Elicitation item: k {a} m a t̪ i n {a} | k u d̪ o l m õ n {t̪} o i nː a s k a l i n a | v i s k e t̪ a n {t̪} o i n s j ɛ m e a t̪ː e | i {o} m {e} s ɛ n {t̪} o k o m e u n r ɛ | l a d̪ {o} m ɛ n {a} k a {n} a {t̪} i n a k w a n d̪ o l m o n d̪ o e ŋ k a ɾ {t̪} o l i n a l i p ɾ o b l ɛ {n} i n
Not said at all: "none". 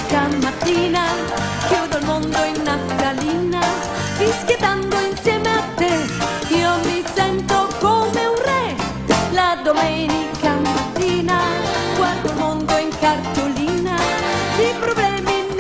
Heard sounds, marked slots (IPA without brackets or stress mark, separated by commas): a, a, d̪, d̪, o, i, t̪, o, i, m, t̪, t̪, m